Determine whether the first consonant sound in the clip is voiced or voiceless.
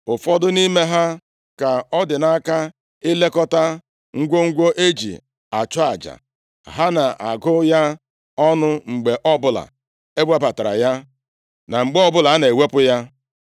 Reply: voiceless